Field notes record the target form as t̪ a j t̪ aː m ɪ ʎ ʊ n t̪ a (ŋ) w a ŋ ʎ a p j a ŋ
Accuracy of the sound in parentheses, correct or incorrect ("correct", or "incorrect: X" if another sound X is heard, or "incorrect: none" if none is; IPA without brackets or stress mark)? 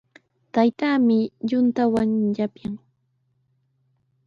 incorrect: none